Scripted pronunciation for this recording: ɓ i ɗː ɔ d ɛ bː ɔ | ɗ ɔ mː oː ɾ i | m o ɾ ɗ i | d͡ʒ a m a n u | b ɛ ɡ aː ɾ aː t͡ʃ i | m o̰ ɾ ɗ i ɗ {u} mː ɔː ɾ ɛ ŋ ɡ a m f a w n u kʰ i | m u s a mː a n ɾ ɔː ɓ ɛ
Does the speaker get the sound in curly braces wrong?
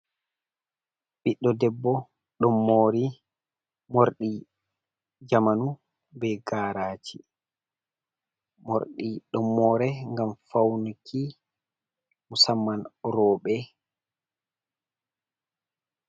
yes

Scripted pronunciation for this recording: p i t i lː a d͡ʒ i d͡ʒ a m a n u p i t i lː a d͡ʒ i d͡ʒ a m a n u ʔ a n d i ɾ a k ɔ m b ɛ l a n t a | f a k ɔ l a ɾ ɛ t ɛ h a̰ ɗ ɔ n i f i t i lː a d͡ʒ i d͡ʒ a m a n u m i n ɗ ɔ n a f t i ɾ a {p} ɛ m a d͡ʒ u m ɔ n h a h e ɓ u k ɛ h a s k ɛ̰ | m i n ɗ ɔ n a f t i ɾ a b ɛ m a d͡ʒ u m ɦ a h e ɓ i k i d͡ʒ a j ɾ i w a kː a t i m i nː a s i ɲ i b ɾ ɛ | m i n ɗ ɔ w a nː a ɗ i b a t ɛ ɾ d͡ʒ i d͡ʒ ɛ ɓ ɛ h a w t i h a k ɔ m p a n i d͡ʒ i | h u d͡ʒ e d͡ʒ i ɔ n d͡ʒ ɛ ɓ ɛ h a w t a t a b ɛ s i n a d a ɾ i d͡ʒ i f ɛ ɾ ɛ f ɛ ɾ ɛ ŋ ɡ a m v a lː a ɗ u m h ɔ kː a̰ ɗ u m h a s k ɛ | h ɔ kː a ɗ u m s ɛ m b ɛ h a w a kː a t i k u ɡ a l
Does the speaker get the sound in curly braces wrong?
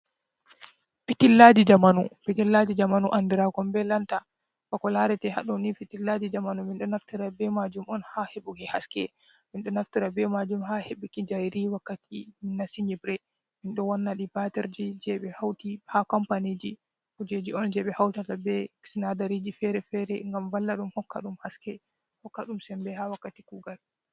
yes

